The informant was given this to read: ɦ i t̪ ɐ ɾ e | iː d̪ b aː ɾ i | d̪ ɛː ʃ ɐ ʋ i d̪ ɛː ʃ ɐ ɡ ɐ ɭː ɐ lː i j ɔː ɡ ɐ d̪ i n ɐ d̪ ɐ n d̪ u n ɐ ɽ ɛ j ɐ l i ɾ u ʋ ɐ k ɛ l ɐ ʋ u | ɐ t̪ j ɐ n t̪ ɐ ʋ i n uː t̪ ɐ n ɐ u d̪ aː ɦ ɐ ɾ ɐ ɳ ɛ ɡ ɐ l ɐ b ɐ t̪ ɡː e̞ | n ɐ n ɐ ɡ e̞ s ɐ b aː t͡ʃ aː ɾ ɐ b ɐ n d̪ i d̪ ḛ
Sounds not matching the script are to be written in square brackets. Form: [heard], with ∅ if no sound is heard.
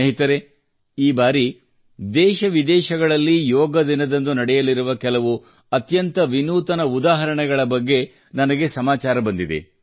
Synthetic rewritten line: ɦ i t̪ ɐ ɾ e | iː [∅] b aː ɾ i | d̪ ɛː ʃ ɐ ʋ i d̪ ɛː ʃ ɐ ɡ ɐ [ɭ] ɐ lː i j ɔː ɡ ɐ d̪ i n ɐ d̪ ɐ n d̪ u n ɐ ɽ ɛ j ɐ l i ɾ u ʋ ɐ k ɛ l ɐ ʋ u | ɐ t̪ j ɐ n t̪ ɐ ʋ i n uː t̪ ɐ n ɐ u d̪ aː ɦ ɐ ɾ ɐ ɳ ɛ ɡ ɐ [ɭ] ɐ b ɐ [∅] ɡː e̞ | n ɐ n ɐ ɡ e̞ s ɐ [m] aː t͡ʃ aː ɾ ɐ b ɐ n d̪ i d̪ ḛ